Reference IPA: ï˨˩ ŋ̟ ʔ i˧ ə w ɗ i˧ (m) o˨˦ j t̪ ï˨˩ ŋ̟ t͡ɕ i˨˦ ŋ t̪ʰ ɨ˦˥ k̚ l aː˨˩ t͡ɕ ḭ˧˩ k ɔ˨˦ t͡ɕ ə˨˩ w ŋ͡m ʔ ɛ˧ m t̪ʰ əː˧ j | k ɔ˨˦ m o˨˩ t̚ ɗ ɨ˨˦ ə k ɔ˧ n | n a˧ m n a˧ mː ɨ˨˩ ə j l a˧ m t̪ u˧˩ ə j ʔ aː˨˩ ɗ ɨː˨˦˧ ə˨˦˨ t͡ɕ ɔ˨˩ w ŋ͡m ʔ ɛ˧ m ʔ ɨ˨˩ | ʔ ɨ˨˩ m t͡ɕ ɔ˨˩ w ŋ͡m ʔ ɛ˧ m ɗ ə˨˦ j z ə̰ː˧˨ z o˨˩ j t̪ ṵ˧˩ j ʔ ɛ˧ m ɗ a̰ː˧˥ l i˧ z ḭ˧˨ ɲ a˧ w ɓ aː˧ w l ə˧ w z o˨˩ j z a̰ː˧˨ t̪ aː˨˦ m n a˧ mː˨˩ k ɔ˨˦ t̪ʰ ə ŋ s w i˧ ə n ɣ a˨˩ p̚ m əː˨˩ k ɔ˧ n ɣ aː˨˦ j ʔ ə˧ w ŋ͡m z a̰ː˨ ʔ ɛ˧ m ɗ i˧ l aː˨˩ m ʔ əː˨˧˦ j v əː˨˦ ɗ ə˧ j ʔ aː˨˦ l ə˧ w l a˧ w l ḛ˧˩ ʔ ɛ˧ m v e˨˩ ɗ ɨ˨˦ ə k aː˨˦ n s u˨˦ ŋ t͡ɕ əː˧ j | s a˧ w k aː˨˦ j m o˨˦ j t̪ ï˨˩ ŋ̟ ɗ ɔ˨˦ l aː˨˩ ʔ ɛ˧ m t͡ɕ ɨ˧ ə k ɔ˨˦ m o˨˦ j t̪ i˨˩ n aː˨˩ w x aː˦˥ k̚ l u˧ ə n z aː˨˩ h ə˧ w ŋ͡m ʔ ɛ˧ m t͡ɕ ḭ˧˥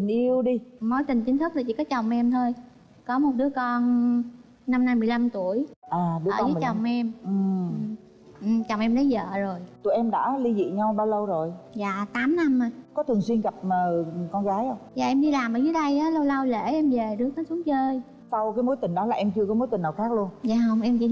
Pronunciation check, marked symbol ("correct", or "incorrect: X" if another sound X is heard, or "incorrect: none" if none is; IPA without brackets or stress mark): correct